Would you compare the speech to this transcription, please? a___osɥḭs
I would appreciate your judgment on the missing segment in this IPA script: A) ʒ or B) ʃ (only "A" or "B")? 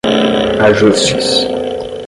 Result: A